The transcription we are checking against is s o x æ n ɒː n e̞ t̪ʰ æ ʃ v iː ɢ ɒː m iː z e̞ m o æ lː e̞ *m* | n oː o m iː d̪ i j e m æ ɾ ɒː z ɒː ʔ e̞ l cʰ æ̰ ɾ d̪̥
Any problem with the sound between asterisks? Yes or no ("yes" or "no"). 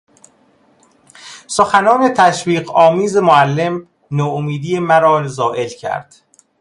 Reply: no